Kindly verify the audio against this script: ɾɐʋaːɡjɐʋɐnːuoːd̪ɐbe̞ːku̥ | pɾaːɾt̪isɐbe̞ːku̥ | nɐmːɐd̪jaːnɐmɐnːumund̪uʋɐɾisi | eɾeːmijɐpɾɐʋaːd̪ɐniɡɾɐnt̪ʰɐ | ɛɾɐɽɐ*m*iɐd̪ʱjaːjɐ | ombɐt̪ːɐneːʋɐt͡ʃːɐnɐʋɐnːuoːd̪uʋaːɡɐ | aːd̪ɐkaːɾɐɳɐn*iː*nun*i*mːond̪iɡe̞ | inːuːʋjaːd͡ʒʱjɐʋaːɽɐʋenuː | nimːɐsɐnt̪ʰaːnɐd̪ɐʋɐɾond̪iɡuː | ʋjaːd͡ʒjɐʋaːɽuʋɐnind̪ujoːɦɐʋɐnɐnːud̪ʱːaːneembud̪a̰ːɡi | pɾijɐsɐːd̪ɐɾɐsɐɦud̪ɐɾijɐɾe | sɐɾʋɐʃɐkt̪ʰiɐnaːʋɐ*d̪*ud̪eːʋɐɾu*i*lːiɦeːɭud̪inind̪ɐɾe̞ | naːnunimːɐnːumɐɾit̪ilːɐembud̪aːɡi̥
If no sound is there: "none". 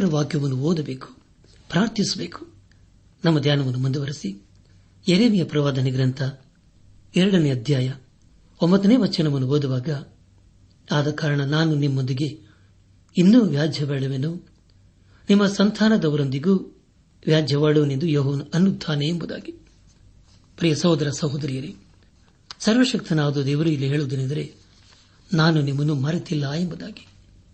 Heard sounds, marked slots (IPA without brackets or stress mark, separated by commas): n, aː, i, d̪, i